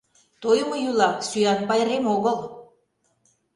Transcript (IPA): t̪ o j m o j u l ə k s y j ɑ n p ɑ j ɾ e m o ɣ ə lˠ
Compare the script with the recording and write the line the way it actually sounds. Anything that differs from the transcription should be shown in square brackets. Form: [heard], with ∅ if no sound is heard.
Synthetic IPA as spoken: t̪ o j m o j u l [ɑ] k s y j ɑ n p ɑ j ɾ e m o ɣ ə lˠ